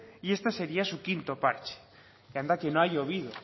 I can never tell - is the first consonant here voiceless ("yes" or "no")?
yes